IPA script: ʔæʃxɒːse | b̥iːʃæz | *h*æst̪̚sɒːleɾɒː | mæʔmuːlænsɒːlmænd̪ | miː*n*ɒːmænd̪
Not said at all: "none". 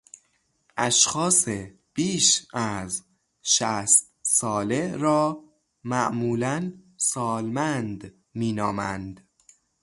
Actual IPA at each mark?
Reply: ʃ, n

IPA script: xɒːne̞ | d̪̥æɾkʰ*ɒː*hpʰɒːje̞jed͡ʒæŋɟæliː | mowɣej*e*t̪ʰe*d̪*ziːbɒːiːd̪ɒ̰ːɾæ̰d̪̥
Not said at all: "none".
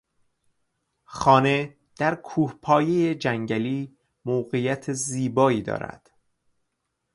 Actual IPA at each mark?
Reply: uː, æ, none

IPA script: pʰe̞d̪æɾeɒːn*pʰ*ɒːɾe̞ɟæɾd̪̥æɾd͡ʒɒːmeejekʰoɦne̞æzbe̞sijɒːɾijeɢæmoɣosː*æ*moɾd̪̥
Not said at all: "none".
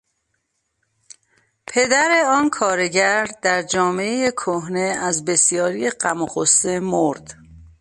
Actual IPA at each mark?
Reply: kʰ, e

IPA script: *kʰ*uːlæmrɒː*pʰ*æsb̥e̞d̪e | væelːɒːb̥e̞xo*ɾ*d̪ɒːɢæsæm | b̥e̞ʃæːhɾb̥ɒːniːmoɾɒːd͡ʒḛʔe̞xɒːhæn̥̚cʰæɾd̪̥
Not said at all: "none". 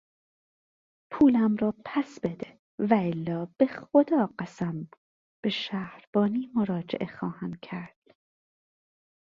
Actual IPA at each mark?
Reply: pʰ, pʰ, none

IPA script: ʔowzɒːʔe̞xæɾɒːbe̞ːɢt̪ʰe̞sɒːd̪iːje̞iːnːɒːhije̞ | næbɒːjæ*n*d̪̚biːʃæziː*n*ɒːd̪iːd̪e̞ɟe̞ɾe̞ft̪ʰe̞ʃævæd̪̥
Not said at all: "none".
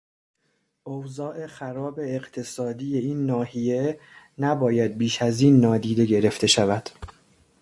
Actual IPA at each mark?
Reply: none, nː

